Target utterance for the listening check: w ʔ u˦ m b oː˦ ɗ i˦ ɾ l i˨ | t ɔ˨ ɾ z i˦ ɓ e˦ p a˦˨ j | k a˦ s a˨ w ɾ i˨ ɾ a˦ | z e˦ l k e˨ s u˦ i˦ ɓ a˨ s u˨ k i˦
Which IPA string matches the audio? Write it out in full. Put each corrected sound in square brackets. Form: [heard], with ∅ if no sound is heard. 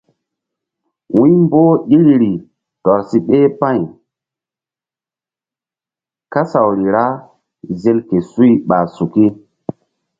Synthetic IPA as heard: w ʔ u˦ m b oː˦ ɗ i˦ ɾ [ɾ] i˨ | t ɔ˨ ɾ [s] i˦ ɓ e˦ p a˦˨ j | k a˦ s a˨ w ɾ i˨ ɾ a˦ | z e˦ l k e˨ s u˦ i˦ ɓ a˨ s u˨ k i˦